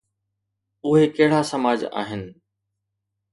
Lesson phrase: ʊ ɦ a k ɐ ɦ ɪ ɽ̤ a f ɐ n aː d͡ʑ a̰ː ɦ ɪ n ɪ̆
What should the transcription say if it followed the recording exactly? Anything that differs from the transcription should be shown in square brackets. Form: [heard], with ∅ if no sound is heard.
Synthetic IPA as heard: ʊ ɦ [e] k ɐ ɦ ɪ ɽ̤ a [s] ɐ [m] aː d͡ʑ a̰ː ɦ ɪ n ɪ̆